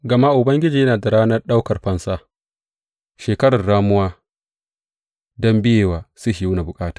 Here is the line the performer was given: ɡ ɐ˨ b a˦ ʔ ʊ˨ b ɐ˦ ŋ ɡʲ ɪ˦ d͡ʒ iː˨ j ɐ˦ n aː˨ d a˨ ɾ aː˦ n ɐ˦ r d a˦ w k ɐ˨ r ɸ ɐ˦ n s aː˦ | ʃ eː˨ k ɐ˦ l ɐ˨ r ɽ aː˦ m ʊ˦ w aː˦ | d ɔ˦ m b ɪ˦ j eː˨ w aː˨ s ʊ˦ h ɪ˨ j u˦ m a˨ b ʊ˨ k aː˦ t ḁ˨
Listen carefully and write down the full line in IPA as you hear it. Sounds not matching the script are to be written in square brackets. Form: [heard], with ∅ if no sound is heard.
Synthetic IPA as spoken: ɡ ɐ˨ [m] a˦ ʔ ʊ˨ b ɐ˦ ŋ ɡʲ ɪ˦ d͡ʒ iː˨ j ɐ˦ n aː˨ d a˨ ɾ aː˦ n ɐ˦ r [ɗ] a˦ w k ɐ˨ r ɸ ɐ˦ n s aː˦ | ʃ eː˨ k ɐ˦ [ɽ] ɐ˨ r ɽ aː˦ m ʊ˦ w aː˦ | d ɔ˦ m b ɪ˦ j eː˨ w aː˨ s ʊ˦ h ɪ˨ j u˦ [n] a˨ b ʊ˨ [kʼ] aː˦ t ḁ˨